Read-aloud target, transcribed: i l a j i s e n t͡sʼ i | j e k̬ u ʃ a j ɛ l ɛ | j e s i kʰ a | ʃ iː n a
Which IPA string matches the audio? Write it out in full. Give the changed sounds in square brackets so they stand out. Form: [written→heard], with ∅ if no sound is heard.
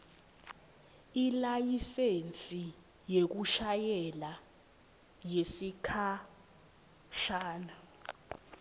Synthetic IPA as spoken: i l a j i s e n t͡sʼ i | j e k̬ u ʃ a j ɛ l [ɛ→a] | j e s i kʰ a | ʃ [iː→aː] n a